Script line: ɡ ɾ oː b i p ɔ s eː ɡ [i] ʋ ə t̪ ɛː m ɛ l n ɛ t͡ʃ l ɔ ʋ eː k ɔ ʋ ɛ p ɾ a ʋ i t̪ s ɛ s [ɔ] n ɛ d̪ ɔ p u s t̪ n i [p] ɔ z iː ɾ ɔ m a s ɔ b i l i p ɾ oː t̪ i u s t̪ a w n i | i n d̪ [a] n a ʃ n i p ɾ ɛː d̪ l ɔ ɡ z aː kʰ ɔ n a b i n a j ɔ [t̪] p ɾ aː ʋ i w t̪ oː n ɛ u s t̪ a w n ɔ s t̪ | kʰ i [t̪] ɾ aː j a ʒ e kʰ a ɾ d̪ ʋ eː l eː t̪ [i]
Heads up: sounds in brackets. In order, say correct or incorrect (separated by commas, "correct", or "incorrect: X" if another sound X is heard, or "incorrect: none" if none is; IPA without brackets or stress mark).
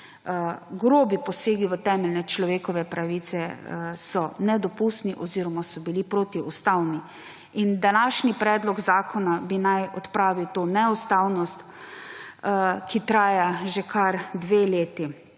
correct, correct, incorrect: ʔ, correct, correct, correct, correct